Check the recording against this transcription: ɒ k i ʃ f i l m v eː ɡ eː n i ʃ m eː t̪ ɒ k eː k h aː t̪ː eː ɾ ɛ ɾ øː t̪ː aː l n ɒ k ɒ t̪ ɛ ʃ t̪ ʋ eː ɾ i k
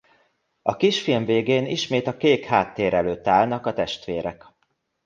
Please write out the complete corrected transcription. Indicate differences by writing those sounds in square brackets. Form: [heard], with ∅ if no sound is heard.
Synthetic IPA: ɒ k i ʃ f i l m v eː ɡ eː n i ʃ m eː t̪ ɒ k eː k h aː t̪ː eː ɾ ɛ [l] øː t̪ː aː l n ɒ k ɒ t̪ ɛ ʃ t̪ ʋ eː ɾ [ɛ] k

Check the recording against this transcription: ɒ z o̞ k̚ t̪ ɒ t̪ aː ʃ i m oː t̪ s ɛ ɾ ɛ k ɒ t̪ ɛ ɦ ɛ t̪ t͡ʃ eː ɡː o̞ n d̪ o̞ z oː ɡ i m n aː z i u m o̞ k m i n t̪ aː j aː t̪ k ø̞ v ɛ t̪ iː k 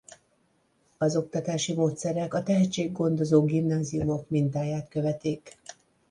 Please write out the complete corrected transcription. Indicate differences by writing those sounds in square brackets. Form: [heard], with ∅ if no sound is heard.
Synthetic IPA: ɒ z o̞ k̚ t̪ ɒ t̪ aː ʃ i m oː t̪ s ɛ ɾ ɛ k ɒ t̪ ɛ ɦ ɛ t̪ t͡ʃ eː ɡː o̞ n d̪ o̞ z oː ɡ i m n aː z i u m o̞ k m i n t̪ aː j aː t̪ k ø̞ v ɛ t̪ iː k

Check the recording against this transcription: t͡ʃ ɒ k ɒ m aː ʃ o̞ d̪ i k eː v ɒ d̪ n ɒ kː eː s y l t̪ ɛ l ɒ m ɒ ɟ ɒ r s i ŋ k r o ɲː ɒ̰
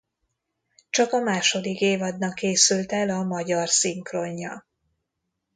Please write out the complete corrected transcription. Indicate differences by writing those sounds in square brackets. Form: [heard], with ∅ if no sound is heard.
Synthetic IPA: t͡ʃ ɒ k ɒ m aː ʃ o̞ d̪ i k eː v ɒ d̪ n ɒ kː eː s y l t̪ ɛ l ɒ m ɒ ɟ ɒ r s i ŋ k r o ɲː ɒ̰

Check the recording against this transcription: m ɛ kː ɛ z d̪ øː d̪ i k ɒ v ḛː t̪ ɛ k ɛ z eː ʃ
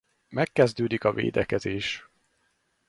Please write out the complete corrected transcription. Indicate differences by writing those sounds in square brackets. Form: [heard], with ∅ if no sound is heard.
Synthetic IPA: m ɛ kː ɛ z d̪ øː d̪ i k ɒ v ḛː [d̪] ɛ k ɛ z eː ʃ

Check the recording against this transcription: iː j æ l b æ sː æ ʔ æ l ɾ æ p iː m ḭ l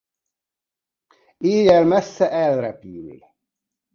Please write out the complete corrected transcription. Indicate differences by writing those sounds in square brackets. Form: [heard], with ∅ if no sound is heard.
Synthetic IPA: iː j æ l [m] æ sː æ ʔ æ l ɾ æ p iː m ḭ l

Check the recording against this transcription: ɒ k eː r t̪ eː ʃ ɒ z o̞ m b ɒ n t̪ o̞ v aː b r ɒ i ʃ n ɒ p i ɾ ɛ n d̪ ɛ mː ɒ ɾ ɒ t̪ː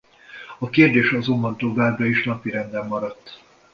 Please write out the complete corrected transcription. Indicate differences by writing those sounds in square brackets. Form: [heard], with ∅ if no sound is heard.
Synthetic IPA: ɒ k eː r [d̪] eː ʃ ɒ z o̞ m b ɒ n t̪ o̞ v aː b r ɒ i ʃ n ɒ p i ɾ ɛ n d̪ ɛ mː ɒ ɾ ɒ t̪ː

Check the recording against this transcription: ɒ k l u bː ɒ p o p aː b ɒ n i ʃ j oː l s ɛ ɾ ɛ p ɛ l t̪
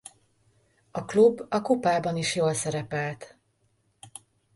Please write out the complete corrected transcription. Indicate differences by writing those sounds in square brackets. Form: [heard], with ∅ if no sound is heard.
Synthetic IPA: ɒ k l u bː ɒ [k] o p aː b ɒ n i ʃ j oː l s ɛ ɾ ɛ p ɛ l t̪

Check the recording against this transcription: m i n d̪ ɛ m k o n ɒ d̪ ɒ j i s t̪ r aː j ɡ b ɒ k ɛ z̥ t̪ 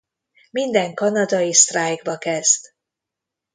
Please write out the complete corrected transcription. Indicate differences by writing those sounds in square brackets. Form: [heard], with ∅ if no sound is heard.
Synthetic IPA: m i n d̪ ɛ [ŋ] k [ɒ] n ɒ d̪ ɒ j i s t̪ r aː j ɡ b ɒ k ɛ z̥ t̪

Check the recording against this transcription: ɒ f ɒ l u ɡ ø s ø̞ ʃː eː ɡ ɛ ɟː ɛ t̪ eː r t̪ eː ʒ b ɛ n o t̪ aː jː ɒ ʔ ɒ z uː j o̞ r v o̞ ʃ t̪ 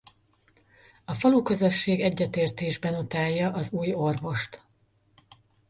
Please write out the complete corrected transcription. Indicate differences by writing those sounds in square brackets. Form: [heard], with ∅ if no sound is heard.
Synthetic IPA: ɒ f ɒ l u [k] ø [z] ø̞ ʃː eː ɡ ɛ ɟː ɛ t̪ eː r t̪ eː ʒ b ɛ n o t̪ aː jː ɒ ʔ ɒ z uː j o̞ r v o̞ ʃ t̪

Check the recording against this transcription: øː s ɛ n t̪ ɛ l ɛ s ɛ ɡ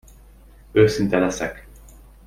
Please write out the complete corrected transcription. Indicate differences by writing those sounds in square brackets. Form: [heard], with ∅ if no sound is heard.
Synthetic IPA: øː s [i] n t̪ ɛ l ɛ s ɛ [k]

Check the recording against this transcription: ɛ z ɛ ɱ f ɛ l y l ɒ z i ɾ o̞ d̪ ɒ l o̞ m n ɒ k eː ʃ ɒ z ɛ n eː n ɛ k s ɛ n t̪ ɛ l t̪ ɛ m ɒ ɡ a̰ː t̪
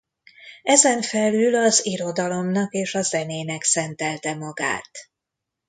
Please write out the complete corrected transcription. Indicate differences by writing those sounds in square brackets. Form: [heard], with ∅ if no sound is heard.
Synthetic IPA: ɛ z ɛ ɱ f ɛ l y l ɒ z i ɾ o̞ d̪ ɒ l o̞ m n ɒ k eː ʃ ɒ z ɛ n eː n ɛ k s ɛ n t̪ ɛ l t̪ ɛ m ɒ ɡ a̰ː t̪

